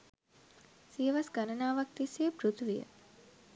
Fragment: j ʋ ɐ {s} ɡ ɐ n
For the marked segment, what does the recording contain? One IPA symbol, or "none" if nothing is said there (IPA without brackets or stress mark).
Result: s